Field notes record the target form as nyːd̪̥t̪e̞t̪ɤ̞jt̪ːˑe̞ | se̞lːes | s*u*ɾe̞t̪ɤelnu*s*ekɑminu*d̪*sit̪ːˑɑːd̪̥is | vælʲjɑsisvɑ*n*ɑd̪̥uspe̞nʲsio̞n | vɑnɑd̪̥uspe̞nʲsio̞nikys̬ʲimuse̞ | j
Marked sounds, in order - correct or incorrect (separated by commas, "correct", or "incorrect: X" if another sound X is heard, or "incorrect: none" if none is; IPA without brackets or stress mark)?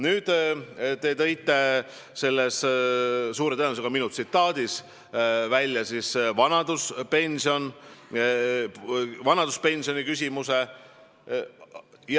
incorrect: uː, correct, incorrect: t̪, correct